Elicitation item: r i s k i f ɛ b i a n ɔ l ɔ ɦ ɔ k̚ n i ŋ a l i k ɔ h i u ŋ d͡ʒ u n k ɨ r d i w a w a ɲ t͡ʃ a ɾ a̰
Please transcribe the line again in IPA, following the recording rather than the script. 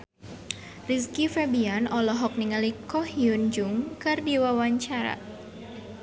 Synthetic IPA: r i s k i f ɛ b i a n ɔ l ɔ ɦ ɔ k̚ n i ŋ a l i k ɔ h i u n d͡ʒ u ŋ k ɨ r d i w a w a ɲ t͡ʃ a ɾ a̰